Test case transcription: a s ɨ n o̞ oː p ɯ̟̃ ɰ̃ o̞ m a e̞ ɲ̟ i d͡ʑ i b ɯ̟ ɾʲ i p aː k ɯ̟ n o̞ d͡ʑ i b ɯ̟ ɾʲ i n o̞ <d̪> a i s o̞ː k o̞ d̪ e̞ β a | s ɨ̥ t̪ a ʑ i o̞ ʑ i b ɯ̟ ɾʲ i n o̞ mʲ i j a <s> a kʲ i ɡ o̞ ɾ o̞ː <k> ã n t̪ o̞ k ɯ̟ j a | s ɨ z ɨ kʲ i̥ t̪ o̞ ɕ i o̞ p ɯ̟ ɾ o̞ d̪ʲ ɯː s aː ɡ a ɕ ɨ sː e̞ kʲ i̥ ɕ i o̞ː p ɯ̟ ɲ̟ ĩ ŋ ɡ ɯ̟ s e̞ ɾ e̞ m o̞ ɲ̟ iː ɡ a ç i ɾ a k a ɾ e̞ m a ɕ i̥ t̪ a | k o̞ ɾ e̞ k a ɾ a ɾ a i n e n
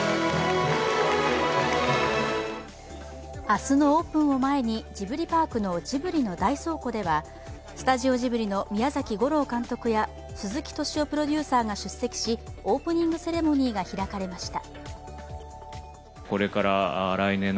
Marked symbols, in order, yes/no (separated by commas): yes, no, yes